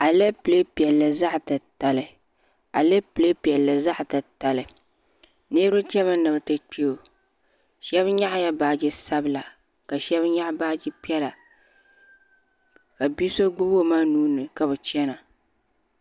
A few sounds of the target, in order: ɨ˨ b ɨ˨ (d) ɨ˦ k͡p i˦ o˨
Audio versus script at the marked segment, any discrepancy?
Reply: yes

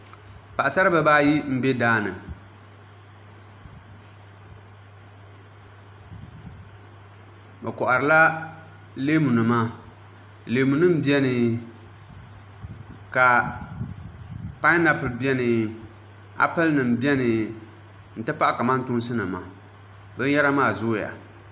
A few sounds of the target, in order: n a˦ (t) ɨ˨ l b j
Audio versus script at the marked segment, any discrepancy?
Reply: yes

